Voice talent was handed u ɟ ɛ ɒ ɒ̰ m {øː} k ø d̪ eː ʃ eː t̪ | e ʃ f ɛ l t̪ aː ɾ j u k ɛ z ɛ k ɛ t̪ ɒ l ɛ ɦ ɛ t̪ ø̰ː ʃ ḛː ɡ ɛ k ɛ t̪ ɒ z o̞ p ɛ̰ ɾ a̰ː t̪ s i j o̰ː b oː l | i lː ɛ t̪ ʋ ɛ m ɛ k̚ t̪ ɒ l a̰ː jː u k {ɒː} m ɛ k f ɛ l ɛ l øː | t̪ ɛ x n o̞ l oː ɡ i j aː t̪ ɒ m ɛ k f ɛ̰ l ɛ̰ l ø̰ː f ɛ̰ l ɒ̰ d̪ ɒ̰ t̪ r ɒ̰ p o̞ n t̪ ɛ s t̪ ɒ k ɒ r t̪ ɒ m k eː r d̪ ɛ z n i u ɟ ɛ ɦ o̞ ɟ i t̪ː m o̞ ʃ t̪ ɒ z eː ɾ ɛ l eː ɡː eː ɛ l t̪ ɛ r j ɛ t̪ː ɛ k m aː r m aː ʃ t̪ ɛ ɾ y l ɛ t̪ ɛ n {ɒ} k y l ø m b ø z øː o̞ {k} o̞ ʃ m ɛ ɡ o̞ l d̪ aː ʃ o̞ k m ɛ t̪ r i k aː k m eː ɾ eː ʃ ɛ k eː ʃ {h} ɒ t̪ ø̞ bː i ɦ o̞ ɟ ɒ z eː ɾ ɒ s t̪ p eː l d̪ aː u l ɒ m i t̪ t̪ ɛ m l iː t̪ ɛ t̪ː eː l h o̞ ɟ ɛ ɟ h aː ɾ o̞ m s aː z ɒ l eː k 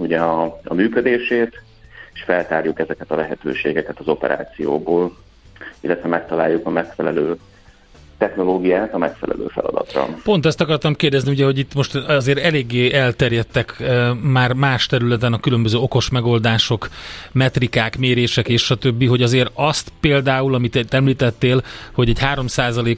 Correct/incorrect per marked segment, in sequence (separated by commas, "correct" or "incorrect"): incorrect, incorrect, correct, correct, incorrect